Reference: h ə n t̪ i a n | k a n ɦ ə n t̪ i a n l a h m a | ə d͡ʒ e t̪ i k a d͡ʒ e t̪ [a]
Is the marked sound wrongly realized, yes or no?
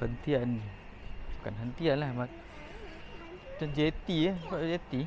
yes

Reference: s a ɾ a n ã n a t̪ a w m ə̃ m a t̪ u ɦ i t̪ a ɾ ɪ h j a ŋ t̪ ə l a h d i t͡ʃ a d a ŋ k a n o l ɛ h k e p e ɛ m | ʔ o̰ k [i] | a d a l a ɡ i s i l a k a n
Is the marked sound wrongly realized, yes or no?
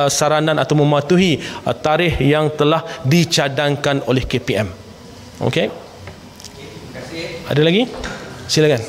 yes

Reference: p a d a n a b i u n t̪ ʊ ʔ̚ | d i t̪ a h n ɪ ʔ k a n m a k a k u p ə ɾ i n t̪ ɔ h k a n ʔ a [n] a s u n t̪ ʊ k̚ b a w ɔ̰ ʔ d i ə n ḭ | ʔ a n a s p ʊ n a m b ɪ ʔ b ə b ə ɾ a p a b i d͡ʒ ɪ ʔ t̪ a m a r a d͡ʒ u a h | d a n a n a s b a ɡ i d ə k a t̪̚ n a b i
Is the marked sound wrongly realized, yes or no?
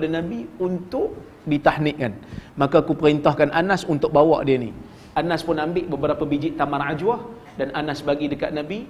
no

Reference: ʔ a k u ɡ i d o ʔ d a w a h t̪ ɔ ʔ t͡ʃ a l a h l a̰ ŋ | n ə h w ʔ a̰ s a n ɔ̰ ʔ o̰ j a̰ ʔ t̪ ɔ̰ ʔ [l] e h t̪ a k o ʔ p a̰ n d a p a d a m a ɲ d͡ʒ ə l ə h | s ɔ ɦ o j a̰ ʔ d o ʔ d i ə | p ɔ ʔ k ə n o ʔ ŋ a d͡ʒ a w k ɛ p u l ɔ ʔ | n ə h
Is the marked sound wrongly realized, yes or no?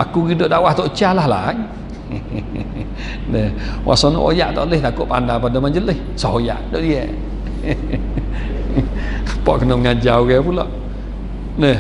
no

